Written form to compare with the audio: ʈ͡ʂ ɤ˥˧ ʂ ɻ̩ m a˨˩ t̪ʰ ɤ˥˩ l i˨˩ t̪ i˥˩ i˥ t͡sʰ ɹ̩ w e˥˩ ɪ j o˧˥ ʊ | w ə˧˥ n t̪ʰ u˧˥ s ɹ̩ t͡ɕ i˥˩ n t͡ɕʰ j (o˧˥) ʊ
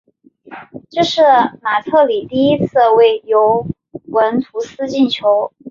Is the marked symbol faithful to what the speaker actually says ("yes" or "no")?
yes